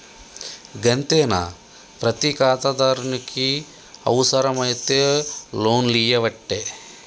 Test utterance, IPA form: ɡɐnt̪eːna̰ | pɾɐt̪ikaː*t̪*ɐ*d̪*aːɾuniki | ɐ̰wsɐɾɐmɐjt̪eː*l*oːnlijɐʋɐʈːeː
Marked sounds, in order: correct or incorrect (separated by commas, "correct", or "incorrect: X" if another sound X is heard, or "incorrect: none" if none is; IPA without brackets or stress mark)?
correct, correct, correct